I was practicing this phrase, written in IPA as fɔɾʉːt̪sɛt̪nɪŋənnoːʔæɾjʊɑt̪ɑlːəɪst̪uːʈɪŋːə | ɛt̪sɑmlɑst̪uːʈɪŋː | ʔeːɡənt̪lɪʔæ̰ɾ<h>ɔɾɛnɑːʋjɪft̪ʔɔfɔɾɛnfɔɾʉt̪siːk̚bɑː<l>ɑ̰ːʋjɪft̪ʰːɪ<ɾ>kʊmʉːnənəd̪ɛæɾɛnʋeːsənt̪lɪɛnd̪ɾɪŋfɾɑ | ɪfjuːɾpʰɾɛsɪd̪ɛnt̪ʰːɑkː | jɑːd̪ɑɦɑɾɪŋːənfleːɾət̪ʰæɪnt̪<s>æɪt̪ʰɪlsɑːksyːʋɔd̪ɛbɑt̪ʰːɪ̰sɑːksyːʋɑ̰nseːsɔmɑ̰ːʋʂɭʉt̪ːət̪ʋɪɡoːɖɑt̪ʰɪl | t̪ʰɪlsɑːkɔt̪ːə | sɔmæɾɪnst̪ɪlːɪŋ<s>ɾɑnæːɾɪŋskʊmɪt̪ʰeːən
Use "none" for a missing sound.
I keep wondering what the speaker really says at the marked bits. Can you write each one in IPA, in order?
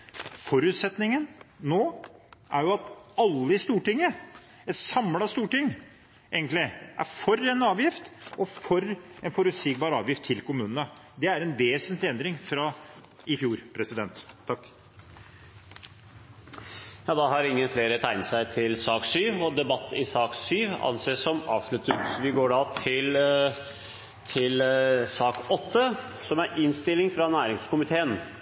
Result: f, ɾ, l, s, f

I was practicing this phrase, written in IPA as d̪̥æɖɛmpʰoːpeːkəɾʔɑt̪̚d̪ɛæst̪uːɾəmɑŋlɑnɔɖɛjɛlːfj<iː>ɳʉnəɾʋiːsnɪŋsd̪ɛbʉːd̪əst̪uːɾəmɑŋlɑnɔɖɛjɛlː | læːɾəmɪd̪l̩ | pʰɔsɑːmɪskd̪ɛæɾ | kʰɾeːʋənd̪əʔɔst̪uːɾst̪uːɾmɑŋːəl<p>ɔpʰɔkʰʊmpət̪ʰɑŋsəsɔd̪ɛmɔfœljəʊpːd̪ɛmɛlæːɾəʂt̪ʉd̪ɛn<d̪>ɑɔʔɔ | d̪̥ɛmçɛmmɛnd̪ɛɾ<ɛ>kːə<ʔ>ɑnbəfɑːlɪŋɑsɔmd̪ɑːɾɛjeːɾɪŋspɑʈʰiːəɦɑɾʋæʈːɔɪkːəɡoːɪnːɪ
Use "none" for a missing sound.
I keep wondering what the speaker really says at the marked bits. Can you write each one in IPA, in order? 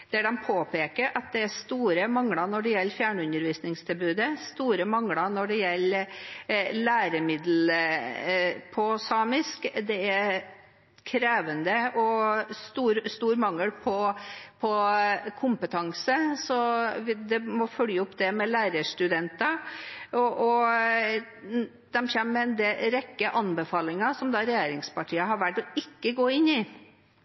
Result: æː, pʰ, t̪, ɛ, ʔ

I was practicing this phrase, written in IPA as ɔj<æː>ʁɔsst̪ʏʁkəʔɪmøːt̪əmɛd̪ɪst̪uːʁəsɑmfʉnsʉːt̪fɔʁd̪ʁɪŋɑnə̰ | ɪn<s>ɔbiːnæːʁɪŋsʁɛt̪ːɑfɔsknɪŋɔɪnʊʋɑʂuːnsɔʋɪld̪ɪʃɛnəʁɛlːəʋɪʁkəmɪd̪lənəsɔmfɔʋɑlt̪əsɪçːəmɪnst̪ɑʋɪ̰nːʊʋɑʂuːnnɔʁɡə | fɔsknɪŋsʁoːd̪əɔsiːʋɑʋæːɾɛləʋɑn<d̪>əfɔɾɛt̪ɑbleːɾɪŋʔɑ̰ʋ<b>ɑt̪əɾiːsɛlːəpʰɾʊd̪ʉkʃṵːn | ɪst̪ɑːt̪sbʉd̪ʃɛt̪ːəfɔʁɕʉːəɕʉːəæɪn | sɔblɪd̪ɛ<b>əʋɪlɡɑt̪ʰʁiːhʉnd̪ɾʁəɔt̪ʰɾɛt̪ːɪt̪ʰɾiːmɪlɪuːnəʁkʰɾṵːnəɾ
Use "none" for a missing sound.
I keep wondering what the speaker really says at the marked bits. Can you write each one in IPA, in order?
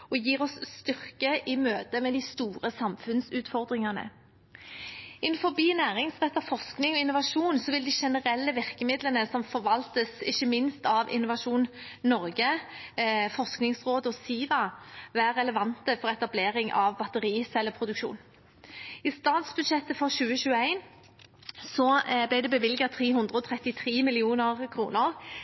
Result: iː, f, t̪, b, b

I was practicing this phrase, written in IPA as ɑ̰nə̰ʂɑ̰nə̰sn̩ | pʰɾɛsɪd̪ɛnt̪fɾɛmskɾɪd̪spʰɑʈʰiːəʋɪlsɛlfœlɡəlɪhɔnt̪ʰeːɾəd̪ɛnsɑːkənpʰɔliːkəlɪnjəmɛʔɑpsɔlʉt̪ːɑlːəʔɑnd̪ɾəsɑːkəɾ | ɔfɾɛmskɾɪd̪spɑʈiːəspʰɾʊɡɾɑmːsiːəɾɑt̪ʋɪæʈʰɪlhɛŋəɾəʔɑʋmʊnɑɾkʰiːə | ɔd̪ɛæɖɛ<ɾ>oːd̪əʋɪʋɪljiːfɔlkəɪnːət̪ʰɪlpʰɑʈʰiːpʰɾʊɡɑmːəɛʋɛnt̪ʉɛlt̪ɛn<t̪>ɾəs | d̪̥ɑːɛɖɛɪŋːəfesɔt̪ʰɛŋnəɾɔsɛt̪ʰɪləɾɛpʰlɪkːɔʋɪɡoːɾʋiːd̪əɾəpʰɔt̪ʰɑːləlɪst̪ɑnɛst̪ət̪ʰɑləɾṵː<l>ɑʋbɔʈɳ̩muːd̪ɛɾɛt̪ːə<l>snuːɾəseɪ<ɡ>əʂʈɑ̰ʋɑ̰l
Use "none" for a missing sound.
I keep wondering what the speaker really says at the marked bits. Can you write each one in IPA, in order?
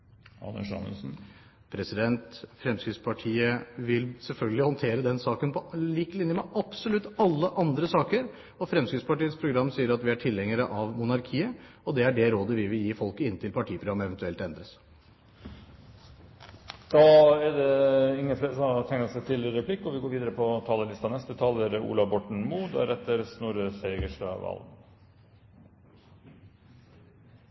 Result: ɾ, d̪, l, ɾ, ɡ

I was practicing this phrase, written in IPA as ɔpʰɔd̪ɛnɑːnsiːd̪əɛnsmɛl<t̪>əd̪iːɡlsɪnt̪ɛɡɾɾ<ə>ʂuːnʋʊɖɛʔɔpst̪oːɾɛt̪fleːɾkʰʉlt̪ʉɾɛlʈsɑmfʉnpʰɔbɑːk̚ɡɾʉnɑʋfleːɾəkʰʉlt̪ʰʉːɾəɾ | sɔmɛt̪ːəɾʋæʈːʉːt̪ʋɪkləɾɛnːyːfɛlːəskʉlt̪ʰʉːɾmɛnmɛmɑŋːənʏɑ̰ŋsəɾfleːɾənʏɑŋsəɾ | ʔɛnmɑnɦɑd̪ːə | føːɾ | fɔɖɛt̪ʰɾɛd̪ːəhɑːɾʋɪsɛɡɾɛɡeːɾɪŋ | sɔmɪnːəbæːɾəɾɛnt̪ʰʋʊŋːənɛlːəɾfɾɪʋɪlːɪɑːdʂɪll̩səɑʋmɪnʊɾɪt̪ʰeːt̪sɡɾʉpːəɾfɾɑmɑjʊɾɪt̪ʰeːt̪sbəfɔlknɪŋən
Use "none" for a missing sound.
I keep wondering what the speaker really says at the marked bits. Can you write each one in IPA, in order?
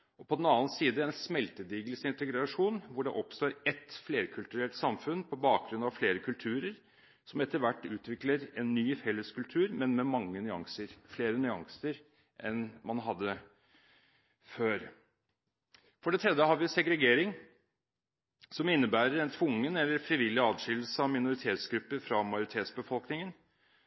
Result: t̪, ɑ

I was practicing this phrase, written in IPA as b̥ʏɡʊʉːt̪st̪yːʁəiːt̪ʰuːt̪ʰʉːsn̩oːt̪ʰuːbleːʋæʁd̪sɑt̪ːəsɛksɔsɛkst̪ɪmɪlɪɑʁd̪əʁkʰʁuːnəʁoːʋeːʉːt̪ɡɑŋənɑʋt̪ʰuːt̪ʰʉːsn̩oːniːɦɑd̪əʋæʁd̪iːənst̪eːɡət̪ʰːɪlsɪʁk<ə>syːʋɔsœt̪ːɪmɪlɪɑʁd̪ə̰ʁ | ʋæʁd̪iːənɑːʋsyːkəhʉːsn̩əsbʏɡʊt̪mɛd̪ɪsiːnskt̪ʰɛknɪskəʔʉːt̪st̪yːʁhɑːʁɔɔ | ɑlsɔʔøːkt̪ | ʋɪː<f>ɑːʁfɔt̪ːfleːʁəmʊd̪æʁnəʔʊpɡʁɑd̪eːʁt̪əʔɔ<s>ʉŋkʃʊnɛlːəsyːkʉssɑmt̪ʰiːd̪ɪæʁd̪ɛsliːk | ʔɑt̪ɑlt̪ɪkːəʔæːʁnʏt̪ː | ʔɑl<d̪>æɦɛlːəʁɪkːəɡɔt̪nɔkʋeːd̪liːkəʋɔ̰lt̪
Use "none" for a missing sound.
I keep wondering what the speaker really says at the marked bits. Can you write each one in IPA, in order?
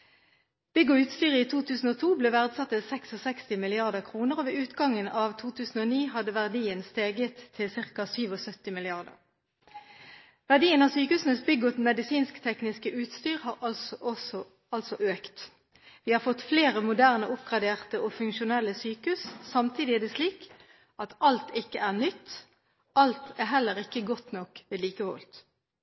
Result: ɑ, h, f, t̪

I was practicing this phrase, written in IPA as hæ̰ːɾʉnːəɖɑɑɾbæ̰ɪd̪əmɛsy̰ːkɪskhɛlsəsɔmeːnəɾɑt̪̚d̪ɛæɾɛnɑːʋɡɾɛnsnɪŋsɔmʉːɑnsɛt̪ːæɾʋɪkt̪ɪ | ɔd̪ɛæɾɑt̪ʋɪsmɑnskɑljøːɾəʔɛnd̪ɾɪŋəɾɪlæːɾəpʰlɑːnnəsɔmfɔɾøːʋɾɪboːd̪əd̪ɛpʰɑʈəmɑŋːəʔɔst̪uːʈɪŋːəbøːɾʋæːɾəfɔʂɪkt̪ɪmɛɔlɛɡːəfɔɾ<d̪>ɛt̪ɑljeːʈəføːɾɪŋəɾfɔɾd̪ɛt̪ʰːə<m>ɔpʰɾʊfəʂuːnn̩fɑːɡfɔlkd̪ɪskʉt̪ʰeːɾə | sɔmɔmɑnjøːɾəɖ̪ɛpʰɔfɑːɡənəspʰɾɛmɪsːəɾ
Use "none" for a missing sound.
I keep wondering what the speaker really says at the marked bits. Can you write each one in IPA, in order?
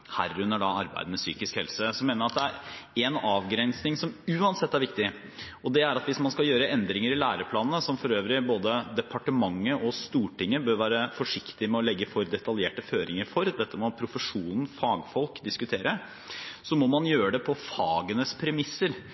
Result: d̪, m

